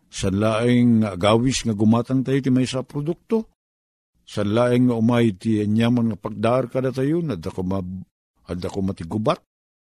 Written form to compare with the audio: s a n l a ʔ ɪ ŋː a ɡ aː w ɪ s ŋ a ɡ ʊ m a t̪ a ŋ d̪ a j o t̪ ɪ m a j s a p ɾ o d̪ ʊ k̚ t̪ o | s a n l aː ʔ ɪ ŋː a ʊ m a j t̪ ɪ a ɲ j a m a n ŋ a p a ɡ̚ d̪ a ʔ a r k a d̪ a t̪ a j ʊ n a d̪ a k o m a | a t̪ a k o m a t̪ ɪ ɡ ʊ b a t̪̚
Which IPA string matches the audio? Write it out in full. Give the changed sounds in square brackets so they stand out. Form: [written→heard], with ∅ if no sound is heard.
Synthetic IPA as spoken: s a n l a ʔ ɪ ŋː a ɡ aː w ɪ s ŋ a ɡ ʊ m a t̪ a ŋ [d̪→t̪] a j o t̪ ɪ m a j s a p ɾ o d̪ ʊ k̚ t̪ o | s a n l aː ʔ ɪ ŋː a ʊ m a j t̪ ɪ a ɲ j a m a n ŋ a p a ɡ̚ d̪ a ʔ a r k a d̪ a t̪ a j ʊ n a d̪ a k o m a | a [t̪→d̪] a k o m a t̪ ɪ ɡ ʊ b a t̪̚